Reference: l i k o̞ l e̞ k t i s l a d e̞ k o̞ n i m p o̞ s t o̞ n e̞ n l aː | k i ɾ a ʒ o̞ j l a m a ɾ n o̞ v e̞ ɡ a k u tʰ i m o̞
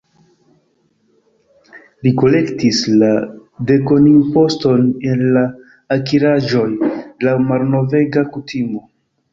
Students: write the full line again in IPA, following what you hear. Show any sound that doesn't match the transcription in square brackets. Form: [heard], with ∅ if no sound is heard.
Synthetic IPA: l i k o̞ l e̞ k t i s l a d e̞ k o̞ n i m p o̞ s t o̞ n e̞ n l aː | k i ɾ a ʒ o̞ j l a m a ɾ n o̞ v e̞ ɡ a k u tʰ i m o̞